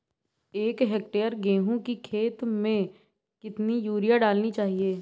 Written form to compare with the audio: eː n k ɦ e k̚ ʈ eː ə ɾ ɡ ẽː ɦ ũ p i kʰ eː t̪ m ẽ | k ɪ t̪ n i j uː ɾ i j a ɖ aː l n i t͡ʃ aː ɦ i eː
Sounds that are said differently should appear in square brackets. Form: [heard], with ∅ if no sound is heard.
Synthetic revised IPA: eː [∅] k ɦ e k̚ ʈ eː ə ɾ ɡ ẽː ɦ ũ [k] i kʰ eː t̪ m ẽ | k ɪ t̪ n i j uː ɾ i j a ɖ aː l n i t͡ʃ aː ɦ i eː